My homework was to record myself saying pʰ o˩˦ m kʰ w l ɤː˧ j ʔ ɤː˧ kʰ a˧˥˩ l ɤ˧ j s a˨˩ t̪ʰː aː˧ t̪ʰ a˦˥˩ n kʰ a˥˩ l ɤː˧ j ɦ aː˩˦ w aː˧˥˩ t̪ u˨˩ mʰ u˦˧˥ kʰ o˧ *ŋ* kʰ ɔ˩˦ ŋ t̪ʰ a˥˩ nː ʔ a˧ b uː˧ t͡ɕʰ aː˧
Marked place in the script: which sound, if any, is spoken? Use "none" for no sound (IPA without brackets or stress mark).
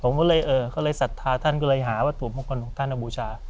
n